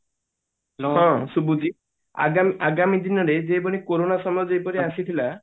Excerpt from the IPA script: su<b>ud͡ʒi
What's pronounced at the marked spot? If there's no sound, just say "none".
b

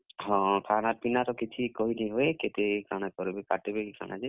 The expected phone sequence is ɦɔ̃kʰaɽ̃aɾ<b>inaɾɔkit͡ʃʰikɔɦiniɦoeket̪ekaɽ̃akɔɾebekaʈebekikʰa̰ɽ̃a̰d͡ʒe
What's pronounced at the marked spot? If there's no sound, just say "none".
p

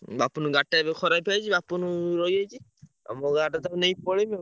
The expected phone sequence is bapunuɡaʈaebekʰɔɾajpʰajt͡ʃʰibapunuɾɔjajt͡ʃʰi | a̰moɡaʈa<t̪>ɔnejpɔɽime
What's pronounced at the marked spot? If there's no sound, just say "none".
t̪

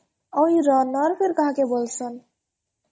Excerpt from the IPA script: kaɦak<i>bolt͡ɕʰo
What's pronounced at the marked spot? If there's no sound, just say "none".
e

